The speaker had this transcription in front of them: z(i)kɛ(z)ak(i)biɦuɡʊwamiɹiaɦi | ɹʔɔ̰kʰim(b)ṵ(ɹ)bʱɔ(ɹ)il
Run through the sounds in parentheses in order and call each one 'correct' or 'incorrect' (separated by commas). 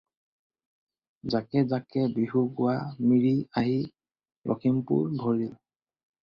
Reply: incorrect, correct, incorrect, incorrect, correct, correct